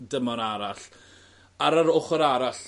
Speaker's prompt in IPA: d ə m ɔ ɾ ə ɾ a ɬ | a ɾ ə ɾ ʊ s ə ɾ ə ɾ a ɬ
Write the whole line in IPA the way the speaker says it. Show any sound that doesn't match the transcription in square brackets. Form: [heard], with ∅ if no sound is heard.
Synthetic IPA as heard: d ə m ɔ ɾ [a] ɾ a ɬ | a ɾ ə ɾ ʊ [χ] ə ɾ [a] ɾ a ɬ